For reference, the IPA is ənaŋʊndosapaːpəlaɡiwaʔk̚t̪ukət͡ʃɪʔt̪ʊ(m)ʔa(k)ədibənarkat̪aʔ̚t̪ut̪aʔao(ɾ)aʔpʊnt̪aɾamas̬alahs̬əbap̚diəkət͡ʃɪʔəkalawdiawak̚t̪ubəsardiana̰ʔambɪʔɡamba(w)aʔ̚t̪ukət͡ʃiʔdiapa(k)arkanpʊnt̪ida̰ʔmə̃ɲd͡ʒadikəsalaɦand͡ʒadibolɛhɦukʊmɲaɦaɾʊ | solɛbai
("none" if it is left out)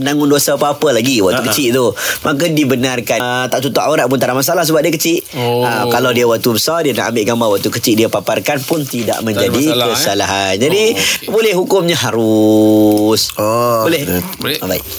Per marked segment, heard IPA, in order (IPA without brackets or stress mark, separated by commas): m, k, ɾ, w, p